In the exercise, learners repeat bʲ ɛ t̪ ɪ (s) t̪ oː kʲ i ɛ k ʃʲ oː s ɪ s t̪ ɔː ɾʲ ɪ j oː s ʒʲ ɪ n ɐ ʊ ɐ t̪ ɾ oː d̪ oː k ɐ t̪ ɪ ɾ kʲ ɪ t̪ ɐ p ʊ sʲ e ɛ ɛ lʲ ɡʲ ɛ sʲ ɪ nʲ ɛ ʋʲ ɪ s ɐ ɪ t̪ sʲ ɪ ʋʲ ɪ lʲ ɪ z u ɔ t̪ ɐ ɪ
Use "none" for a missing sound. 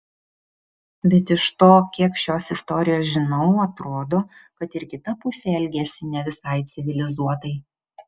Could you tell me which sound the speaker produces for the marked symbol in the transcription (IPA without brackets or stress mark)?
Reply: ʃ